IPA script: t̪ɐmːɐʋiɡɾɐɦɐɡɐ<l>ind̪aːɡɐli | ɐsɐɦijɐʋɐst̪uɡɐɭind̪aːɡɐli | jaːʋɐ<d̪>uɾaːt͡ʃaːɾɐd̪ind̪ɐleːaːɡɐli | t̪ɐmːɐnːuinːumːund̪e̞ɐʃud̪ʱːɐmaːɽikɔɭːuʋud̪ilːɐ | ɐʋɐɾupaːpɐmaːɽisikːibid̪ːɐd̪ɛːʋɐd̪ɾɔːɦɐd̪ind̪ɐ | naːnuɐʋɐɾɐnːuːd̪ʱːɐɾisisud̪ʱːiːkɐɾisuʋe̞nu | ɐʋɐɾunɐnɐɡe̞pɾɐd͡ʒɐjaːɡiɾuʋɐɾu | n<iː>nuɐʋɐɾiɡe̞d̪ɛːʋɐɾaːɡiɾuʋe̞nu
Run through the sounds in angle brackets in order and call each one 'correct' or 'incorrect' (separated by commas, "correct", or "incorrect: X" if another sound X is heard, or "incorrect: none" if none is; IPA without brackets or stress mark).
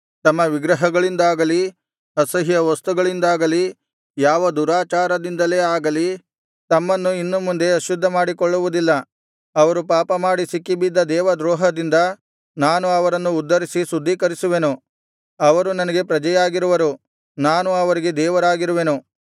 incorrect: ɭ, correct, incorrect: aː